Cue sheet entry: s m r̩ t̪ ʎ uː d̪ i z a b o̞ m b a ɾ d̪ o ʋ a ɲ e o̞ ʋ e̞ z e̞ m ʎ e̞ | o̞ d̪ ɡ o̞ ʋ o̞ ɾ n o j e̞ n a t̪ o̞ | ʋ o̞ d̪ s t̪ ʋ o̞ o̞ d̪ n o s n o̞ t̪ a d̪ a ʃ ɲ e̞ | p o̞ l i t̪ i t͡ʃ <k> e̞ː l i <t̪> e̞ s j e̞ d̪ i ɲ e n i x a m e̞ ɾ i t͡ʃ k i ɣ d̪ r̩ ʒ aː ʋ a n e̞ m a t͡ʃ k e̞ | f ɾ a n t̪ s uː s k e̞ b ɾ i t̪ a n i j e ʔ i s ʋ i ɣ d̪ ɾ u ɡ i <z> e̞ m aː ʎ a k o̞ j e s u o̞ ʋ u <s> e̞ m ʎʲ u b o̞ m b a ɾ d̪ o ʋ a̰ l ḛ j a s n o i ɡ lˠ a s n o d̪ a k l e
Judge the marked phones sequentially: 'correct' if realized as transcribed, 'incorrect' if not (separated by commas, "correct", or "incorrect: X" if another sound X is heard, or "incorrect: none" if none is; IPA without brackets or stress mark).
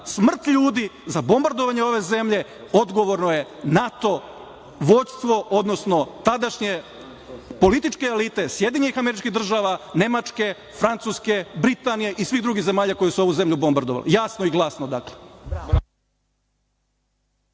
correct, correct, correct, incorrect: z